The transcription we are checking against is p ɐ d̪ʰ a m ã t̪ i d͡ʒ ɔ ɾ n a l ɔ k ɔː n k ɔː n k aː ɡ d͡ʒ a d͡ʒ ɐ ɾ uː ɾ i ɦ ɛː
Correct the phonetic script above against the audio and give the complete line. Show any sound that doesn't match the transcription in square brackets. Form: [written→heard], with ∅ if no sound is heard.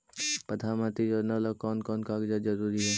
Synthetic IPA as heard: p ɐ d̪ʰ a m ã t̪ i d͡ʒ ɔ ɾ n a l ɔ k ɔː n k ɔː n k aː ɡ d͡ʒ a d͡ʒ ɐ ɾ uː ɾ i ɦ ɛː